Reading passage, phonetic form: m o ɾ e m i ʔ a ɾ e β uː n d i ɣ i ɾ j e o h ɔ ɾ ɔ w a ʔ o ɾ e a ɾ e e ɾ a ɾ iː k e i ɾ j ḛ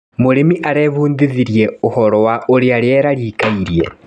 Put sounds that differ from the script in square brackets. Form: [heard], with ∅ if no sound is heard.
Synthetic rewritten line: m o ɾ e m i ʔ a ɾ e β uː n d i [ð] i ɾ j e o h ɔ ɾ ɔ w a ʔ o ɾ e a ɾ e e ɾ a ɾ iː k [a] i ɾ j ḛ

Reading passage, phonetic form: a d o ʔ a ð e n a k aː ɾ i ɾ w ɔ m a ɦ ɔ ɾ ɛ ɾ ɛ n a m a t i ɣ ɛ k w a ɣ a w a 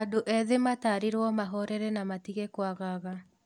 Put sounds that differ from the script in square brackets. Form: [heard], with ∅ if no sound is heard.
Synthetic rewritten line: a d o ʔ [ɛ] ð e [m] a [t] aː ɾ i ɾ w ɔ m a ɦ ɔ ɾ ɛ ɾ ɛ n a m a t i ɣ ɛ k w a ɣ a [ɣ] a

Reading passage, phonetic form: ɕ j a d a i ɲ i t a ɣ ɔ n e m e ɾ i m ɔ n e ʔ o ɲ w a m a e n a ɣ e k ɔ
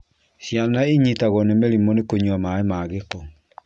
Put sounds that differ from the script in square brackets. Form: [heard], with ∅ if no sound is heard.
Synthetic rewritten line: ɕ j a [n] a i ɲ i t a ɣ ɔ n e m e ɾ i m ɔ n e [k] o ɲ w a m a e [m] a ɣ e k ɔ

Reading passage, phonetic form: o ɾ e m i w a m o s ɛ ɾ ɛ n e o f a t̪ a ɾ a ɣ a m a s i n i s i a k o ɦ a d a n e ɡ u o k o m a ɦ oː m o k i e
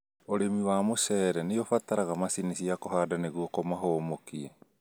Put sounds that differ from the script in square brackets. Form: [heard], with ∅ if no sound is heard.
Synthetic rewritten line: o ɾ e m i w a m o s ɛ ɾ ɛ n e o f a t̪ a ɾ a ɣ a m a s i n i s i a k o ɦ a d a n e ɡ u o k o m a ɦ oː m o k i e

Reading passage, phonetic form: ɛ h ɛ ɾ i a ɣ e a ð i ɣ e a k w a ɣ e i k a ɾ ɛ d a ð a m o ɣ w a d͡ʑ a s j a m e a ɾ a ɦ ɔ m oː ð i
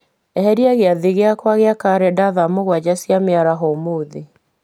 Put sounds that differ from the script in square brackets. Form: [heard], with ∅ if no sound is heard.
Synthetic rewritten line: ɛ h ɛ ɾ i a ɣ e a ð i ɣ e a k w a ɣ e [a] k a ɾ ɛ d a ð a m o ɣ w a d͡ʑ a s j a m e a ɾ a ɦ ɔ m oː ð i

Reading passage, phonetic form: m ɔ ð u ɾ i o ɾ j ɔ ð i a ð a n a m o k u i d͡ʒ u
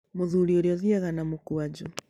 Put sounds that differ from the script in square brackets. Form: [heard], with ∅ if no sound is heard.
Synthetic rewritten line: m [o] ð u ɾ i o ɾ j ɔ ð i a [ɣ] a n a m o k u [a] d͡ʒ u

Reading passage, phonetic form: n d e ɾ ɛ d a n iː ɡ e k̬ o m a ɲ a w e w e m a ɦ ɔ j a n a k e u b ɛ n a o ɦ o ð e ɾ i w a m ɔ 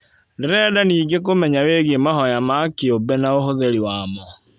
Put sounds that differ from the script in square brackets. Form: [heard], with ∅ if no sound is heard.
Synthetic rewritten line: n d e ɾ ɛ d a n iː ɡ e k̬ o m [ɛ] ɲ a w e [ɣ] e m a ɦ ɔ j a [m] a k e [o] b ɛ n a o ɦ o ð e ɾ i w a m ɔ

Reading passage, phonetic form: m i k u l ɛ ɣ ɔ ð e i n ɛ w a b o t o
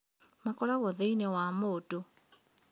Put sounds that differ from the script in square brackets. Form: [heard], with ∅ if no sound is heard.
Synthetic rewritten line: m [a] k [ɔ] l [a] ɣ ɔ ð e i n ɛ w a [m] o t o

